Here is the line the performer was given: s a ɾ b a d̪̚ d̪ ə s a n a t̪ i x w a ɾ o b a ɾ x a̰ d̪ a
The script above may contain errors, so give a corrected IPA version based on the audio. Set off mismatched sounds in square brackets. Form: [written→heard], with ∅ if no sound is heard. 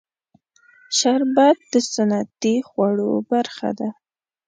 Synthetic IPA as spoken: [s→ʃ] a ɾ b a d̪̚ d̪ ə s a n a t̪ i x w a [ɾ→ɽ] o b a ɾ x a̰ d̪ a